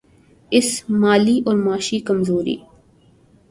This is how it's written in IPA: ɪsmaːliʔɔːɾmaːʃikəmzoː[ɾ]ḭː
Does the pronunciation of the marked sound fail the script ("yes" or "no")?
no